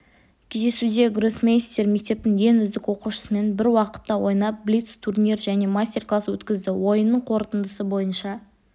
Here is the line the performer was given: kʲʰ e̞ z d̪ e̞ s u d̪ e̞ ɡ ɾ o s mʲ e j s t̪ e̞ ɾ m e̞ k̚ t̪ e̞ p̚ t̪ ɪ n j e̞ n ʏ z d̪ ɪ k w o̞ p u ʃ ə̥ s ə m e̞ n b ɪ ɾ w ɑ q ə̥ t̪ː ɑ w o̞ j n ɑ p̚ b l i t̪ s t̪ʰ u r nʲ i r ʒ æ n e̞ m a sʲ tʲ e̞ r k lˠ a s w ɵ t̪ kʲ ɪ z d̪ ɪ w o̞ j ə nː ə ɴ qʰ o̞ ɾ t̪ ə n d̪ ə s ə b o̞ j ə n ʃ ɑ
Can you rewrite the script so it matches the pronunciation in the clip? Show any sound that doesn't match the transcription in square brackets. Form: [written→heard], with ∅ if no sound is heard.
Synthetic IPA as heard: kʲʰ e̞ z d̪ e̞ s u d̪ e̞ ɡ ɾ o s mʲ e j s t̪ e̞ ɾ m e̞ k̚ t̪ e̞ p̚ t̪ ɪ [n→ŋ] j e̞ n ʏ z d̪ ɪ k w o̞ [p→q] u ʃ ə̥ s ə m e̞ n b ɪ ɾ w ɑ q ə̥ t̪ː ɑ w o̞ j n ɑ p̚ b l i t̪ s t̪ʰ u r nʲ i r ʒ æ n e̞ m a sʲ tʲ e̞ r k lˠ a s w ɵ t̪ kʲ ɪ z d̪ ɪ w o̞ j ə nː ə ɴ qʰ o̞ ɾ t̪ ə n d̪ ə s ə b o̞ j ə n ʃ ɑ